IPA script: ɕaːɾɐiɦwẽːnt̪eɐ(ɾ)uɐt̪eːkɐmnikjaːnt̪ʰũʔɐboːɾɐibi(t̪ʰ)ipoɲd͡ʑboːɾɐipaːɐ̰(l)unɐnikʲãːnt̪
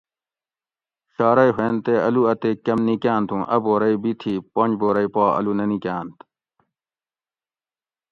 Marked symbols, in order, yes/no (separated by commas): no, yes, yes